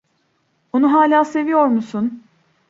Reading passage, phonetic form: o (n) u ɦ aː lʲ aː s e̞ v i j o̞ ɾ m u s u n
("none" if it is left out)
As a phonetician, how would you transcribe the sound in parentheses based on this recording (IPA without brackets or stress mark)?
n